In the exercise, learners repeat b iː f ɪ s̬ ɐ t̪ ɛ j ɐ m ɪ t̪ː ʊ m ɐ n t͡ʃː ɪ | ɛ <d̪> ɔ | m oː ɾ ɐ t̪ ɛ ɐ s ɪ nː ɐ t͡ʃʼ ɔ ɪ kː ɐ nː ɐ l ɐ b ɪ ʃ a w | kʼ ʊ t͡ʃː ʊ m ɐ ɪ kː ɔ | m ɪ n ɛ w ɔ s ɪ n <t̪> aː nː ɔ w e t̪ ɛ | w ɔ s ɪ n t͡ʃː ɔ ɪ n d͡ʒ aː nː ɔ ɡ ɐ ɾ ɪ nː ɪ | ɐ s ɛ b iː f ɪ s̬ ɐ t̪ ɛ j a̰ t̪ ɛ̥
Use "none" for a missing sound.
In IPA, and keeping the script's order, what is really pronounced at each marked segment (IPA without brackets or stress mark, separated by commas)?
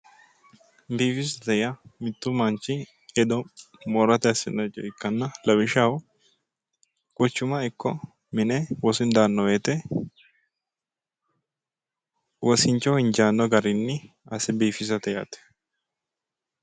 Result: d̪, d̪